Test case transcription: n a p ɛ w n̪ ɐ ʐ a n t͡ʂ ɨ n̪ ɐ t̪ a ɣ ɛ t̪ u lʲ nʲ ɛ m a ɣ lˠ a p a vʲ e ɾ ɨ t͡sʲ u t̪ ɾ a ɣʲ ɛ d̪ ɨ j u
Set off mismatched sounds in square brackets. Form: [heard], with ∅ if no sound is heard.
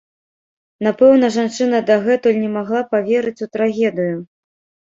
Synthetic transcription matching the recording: n a p ɛ w n̪ ɐ ʐ a n t͡ʂ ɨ n̪ ɐ [d̪] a ɣ ɛ t̪ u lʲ nʲ ɛ m a ɣ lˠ a p a vʲ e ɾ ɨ t͡sʲ u t̪ ɾ a ɣʲ ɛ d̪ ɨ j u